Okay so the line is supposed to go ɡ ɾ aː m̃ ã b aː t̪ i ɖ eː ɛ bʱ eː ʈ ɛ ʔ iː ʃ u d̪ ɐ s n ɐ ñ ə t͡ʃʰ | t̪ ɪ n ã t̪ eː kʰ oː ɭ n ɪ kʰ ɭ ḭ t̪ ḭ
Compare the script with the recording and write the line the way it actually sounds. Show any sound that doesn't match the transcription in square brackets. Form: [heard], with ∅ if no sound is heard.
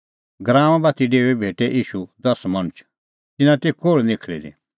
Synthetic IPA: ɡ ɾ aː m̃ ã b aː t̪ i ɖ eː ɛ bʱ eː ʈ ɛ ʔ iː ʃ u d̪ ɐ s [m] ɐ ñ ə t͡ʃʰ | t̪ ɪ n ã t̪ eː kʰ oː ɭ n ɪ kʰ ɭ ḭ [d̪] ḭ